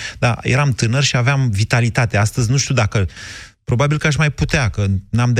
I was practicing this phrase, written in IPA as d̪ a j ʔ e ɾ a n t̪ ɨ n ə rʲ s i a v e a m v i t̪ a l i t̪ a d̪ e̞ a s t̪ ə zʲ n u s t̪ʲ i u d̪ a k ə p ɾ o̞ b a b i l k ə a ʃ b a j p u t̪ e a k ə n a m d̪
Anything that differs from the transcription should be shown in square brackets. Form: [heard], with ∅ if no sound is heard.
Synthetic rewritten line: d̪ a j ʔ e ɾ a [m] t̪ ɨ n ə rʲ [ʃ] i a v e a m v i t̪ a l i t̪ a [t̪] e̞ a s t̪ ə zʲ n u [ʃ] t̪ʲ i u d̪ a k ə p ɾ o̞ b a b i l k ə a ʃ [m] a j p u t̪ e a k ə n a m d̪